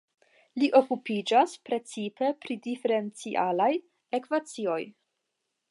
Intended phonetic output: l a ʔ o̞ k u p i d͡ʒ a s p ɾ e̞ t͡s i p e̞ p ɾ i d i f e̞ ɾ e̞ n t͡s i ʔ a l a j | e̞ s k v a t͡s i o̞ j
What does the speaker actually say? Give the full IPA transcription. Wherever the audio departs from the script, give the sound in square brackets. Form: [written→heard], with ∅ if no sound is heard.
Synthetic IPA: l [a→i] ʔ o̞ k u p i d͡ʒ a s p ɾ e̞ t͡s i p e̞ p ɾ i d i f e̞ ɾ e̞ n t͡s i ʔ a l a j | e̞ [s→∅] k v a t͡s i o̞ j